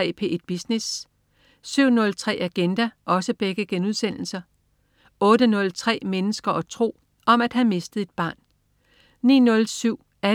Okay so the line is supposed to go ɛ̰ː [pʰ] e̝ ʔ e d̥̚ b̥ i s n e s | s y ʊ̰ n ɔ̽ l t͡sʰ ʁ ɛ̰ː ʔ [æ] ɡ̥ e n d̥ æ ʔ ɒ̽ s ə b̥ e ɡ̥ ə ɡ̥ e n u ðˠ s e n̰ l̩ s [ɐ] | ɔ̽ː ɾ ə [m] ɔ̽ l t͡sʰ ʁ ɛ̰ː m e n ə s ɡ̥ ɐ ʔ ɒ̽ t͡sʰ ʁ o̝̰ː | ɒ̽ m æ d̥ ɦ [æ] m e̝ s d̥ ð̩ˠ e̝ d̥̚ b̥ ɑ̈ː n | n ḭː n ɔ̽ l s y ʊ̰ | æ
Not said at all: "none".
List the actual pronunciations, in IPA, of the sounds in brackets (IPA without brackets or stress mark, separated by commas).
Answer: pʰ, æ, ɐ, n, æ